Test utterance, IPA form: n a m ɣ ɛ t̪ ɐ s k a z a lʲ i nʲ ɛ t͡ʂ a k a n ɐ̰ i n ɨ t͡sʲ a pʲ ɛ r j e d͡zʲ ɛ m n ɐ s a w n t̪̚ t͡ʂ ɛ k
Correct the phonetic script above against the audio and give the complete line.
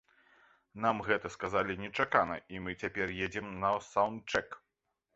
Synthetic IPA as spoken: n a m ɣ ɛ t̪ ɐ s k a z a lʲ i nʲ ɛ t͡ʂ a k a n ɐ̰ i m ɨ t͡sʲ a pʲ ɛ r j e d͡zʲ ɛ m n ɐ s a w n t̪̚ t͡ʂ ɛ k

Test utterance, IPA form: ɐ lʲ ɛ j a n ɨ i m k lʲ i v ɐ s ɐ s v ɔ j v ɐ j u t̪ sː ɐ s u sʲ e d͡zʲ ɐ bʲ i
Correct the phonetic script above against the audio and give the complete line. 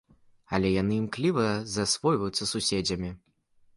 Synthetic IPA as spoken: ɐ lʲ ɛ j a n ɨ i m k lʲ i v ɐ z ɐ s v ɔ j v ɐ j u t̪ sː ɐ s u sʲ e d͡zʲ ɐ mʲ i

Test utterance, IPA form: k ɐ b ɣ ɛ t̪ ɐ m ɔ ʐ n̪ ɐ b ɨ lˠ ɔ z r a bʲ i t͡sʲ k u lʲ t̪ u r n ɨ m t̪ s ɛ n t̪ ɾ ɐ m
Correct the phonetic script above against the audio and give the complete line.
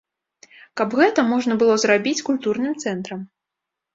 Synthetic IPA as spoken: k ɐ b ɣ ɛ t̪ ɐ m ɔ ʐ n̪ ɐ b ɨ lˠ ɔ z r a bʲ i t͡sʲ k u lʲ t̪ u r n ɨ m t̪ s ɛ n t̪ ɾ ɐ m

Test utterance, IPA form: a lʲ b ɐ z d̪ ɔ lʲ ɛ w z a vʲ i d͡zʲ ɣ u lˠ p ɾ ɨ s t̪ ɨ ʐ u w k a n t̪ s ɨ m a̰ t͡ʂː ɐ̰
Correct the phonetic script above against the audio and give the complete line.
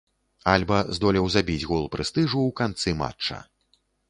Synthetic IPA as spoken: a lʲ b ɐ z d̪ ɔ lʲ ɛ w z a bʲ i d͡zʲ ɣ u lˠ p ɾ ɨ s t̪ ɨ ʐ u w k a n t̪ s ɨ m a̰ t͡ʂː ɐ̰

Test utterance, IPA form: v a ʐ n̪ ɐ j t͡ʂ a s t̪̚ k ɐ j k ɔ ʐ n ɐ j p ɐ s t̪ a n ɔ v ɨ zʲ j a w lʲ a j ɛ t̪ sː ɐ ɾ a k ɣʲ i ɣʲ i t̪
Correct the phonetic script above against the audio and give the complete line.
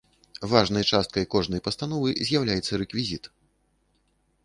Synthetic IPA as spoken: v a ʐ n̪ ɐ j t͡ʂ a s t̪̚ k ɐ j k ɔ ʐ n ɐ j p ɐ s t̪ a n ɔ v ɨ zʲ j a w lʲ a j ɛ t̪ sː ɐ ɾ ɛ k vʲ i zʲ i t̪

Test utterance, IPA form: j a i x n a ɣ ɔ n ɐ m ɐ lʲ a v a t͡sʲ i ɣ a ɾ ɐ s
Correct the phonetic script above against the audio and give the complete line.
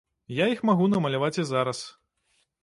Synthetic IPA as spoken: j a i x m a ɣ u n ɐ m ɐ lʲ a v a t͡sʲ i z a ɾ ɐ s

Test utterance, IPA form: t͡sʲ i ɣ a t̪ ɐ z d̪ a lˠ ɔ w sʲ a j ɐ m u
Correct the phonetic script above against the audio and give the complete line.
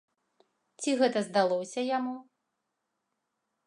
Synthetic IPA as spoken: t͡sʲ i ɣ ɛ t̪ ɐ z d̪ a lˠ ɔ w sʲ ɐ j a m u

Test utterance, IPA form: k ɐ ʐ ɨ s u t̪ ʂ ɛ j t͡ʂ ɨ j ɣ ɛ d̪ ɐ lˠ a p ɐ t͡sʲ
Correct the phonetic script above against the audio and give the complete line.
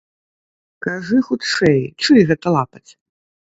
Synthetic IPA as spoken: k a ʐ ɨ x u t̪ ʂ ɛ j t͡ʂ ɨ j ɣ ɛ t̪ ɐ lˠ a p ɐ t͡sʲ

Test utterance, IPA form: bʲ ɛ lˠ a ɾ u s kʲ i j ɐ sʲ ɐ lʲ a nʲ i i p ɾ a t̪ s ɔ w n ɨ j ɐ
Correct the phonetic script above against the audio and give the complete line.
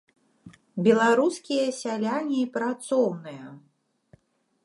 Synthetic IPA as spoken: bʲ ɛ lˠ a ɾ u s kʲ i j ɐ sʲ a lʲ a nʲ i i p ɾ a t̪ s ɔ w n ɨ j ɐ

